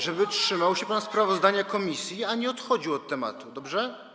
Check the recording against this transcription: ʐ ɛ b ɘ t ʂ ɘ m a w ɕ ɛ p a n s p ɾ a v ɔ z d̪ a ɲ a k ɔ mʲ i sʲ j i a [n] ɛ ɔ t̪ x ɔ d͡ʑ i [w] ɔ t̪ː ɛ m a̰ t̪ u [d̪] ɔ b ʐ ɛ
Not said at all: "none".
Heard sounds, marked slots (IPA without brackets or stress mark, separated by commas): ɲ, w, d̪